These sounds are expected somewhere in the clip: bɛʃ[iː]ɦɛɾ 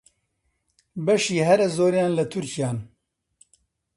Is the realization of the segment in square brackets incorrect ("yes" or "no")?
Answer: no